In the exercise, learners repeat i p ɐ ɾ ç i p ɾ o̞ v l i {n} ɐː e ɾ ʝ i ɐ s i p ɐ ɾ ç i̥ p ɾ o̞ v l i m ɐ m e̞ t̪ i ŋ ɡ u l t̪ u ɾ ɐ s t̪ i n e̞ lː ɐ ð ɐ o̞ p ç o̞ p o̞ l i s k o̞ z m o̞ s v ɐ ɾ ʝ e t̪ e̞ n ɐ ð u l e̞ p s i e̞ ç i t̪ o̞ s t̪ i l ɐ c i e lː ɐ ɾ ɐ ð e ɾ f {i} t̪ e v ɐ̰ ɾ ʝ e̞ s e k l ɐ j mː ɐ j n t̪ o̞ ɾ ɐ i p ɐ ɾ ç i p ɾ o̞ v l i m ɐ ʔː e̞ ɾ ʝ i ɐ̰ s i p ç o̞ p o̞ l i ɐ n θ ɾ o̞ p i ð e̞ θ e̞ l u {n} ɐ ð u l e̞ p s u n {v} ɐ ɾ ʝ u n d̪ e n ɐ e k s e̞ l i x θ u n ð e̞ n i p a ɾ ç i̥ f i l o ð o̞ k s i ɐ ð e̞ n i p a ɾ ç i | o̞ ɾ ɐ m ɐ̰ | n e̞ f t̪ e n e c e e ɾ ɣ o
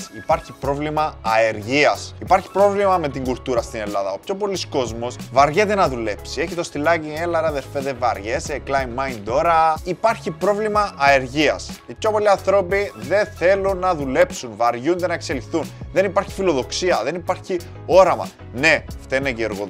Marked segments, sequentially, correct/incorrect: incorrect, incorrect, incorrect, correct

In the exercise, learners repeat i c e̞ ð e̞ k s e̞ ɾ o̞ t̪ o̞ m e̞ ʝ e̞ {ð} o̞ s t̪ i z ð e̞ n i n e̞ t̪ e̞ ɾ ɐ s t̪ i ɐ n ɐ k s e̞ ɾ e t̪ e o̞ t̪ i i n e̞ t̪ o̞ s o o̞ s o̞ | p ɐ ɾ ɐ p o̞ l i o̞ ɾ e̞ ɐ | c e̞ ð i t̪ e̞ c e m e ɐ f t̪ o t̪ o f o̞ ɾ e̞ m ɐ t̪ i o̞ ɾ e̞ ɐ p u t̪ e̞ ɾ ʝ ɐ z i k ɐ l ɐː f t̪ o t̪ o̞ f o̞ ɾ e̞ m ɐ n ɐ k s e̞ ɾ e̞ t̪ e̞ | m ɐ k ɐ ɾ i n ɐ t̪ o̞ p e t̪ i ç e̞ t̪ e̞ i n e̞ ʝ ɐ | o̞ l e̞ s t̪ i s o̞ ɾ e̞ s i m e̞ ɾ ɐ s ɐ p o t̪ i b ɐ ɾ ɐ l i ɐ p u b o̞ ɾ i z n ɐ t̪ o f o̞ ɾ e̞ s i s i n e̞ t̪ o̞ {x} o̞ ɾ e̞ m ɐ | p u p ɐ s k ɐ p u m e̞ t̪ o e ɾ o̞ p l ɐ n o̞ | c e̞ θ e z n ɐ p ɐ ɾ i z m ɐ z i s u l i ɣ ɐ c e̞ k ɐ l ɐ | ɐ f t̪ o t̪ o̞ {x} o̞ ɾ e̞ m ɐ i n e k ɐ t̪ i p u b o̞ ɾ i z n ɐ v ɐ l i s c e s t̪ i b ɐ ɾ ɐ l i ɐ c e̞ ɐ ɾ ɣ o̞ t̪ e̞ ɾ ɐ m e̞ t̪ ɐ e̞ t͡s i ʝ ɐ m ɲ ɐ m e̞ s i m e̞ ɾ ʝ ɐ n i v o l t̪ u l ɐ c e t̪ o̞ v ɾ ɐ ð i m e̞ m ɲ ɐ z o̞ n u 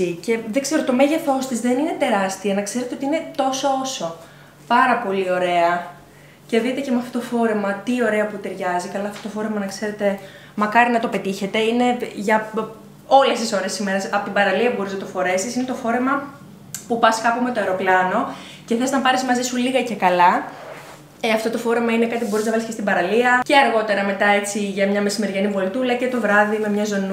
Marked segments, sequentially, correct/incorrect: incorrect, incorrect, incorrect

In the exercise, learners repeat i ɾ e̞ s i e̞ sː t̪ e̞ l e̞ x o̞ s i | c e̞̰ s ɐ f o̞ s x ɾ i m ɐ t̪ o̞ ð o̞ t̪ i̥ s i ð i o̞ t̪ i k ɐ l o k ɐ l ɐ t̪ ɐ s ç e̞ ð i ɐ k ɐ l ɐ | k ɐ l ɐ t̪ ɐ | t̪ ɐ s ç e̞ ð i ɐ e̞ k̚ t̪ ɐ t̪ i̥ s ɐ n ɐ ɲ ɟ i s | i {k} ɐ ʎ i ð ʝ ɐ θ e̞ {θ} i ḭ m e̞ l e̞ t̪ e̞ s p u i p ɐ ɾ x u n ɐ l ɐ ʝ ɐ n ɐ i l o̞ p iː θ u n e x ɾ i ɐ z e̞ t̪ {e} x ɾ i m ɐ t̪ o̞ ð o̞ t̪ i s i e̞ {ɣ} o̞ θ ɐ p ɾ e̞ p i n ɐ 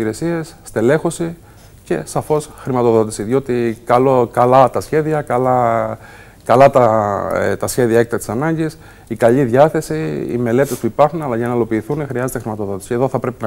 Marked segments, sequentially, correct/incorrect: correct, incorrect, correct, incorrect

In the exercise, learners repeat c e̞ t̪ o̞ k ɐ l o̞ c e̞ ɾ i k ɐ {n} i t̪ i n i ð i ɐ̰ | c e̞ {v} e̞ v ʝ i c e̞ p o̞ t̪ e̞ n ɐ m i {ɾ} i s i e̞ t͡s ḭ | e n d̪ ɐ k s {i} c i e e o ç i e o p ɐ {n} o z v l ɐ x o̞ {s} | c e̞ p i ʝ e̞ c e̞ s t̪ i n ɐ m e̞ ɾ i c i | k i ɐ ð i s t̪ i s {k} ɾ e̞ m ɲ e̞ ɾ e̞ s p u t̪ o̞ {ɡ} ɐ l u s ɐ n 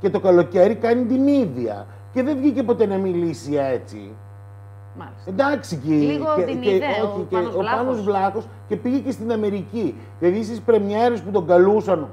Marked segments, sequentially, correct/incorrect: correct, incorrect, incorrect, correct, correct, correct, incorrect, correct

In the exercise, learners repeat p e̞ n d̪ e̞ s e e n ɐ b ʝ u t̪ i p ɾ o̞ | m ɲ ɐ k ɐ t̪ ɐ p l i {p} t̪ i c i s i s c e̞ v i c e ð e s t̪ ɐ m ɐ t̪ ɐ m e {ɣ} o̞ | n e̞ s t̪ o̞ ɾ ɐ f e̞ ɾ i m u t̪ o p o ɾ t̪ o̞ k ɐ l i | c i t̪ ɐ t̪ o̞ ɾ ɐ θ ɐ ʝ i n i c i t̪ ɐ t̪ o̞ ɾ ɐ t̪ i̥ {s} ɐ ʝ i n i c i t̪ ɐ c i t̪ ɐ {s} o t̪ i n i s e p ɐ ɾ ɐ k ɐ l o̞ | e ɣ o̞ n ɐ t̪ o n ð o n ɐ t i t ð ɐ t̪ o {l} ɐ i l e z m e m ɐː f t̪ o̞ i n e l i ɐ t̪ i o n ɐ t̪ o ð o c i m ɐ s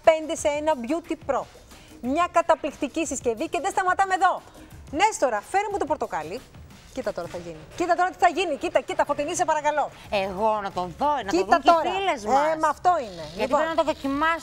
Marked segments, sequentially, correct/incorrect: incorrect, incorrect, incorrect, incorrect, incorrect

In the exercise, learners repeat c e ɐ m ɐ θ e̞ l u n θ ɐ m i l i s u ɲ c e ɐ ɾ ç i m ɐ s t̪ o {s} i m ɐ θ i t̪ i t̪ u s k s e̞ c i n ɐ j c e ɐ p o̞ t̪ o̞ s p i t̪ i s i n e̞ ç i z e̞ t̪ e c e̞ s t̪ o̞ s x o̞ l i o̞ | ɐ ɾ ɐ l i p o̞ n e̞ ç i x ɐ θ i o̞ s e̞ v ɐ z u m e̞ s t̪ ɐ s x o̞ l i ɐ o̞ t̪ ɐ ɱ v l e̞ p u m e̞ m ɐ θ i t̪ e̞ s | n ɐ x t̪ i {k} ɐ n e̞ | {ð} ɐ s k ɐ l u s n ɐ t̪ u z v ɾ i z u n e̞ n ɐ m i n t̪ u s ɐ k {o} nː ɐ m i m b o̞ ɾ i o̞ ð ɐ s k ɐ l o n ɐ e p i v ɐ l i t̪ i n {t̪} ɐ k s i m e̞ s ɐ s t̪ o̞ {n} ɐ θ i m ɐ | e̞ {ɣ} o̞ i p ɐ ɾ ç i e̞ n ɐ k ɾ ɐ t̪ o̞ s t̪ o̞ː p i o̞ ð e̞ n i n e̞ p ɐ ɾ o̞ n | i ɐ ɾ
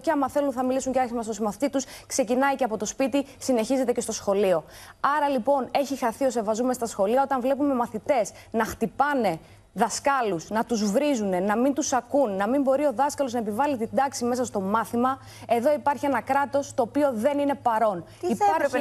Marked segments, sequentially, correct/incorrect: correct, incorrect, correct, incorrect, incorrect, incorrect, incorrect

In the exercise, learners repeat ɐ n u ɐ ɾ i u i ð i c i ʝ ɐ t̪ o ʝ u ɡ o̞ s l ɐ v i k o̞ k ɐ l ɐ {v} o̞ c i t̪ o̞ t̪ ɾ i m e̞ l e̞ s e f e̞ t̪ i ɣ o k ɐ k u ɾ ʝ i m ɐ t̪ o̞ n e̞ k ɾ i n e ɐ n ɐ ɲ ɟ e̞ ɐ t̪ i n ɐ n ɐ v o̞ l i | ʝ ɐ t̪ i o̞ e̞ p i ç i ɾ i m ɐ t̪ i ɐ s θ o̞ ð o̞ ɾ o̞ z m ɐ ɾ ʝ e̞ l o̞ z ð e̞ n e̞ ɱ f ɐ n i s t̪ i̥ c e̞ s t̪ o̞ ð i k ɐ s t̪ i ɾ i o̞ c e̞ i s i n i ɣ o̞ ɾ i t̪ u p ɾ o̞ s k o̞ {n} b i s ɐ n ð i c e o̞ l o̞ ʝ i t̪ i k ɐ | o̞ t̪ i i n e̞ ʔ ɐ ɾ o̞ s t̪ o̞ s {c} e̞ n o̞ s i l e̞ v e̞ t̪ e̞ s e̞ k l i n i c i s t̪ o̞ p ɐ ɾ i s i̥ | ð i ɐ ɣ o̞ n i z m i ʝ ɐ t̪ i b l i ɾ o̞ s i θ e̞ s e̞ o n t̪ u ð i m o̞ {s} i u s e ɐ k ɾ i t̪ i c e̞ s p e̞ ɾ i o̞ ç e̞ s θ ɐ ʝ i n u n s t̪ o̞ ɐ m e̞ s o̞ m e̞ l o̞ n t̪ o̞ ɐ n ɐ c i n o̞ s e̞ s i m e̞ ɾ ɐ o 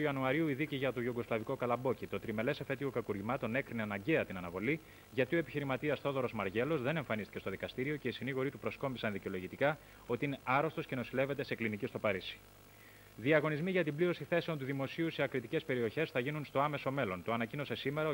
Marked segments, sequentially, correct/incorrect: incorrect, incorrect, correct, correct

